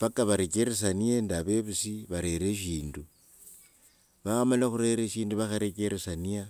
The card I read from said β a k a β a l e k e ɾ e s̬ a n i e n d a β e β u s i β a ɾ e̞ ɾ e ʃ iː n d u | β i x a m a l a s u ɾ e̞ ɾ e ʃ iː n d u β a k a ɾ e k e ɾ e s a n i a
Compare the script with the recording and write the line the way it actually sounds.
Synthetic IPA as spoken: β a k a β a ɾ e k e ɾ e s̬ a n i e n d a β e β u s i β a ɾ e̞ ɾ e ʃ iː n d u | β a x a m a l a x u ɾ e̞ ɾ e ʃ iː n d u β a x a ɾ e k e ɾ e s a n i a